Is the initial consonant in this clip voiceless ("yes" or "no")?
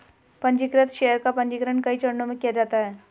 yes